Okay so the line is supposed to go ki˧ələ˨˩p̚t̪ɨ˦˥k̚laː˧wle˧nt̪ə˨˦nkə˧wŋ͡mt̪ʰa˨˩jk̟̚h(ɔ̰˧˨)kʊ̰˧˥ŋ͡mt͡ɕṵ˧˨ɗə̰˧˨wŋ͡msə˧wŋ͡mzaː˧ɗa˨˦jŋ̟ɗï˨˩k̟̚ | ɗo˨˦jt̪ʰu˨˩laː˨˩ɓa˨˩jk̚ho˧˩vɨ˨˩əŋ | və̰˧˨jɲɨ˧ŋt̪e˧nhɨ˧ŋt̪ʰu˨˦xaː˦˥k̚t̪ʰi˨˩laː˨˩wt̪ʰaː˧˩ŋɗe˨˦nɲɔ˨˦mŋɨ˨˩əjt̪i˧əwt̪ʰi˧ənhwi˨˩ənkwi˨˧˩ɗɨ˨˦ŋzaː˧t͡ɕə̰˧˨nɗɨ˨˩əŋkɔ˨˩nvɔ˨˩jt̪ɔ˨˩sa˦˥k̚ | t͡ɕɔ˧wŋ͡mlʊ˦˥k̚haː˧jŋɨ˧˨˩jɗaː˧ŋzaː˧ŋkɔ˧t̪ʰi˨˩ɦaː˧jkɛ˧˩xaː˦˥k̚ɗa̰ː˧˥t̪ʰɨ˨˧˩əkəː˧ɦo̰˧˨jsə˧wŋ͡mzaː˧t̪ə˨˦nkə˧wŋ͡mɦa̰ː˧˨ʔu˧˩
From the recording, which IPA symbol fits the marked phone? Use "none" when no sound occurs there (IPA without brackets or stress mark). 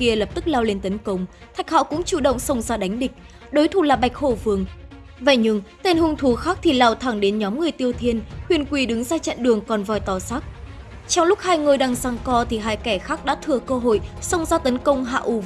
ɔ̰˧˨